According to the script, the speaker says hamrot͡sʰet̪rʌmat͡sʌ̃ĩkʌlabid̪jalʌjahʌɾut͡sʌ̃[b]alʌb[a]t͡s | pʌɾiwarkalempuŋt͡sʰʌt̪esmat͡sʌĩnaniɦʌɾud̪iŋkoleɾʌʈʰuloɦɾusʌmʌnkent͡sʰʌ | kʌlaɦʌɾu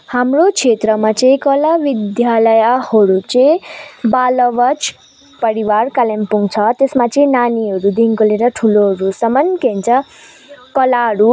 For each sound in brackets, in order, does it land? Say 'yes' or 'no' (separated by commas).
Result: yes, no